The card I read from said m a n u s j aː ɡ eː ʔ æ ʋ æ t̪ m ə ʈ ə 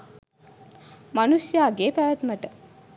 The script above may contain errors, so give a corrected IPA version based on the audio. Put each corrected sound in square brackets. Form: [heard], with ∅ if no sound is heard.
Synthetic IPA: m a n u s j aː ɡ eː [p] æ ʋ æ t̪ m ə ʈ ə